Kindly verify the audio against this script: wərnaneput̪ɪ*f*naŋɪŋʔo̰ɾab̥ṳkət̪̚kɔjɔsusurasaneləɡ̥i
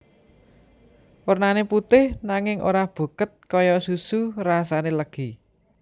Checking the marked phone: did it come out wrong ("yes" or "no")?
yes